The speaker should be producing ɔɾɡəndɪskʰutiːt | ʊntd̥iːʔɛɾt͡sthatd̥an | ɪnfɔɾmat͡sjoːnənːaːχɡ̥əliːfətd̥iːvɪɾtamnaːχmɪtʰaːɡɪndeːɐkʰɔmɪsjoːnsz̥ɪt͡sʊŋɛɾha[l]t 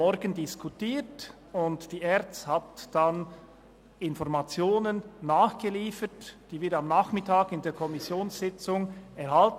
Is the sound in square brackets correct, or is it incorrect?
correct